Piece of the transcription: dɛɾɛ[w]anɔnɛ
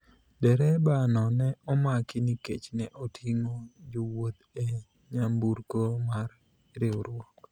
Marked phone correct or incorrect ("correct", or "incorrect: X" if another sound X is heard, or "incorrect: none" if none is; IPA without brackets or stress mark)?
incorrect: b